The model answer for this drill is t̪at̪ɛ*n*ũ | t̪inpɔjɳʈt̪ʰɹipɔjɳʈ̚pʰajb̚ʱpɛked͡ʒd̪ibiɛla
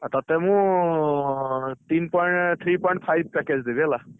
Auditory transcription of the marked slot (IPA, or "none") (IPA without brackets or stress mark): m